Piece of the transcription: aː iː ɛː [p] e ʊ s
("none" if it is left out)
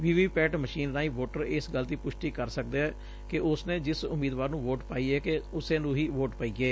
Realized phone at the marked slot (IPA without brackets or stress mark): k